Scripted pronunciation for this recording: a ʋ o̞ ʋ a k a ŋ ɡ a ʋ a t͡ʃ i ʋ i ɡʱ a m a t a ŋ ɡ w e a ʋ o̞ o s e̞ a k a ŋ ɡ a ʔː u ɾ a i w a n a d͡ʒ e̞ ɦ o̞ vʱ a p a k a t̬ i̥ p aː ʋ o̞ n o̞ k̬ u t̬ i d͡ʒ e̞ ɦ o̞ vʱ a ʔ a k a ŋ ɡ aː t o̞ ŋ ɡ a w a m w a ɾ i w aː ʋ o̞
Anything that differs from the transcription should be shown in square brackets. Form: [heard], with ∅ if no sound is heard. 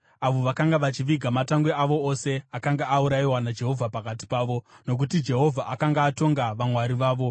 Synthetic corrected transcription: a ʋ o̞ ʋ a k a ŋ ɡ a ʋ a t͡ʃ i ʋ i ɡʱ a m a t a ŋ ɡ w e a ʋ o̞ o s e̞ a k a ŋ ɡ a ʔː u ɾ a i w a n a d͡ʒ e̞ ɦ o̞ vʱ a p a k a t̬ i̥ p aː ʋ o̞ n o̞ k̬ u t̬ i d͡ʒ e̞ ɦ o̞ vʱ a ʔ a k a ŋ ɡ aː t o̞ ŋ ɡ a [ʋ] a m w a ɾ i [ʋ] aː ʋ o̞